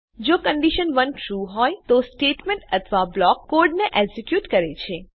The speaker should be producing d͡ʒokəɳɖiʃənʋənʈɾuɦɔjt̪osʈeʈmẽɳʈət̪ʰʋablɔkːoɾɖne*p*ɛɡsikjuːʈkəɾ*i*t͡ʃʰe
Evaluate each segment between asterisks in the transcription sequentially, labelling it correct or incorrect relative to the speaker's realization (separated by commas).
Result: incorrect, incorrect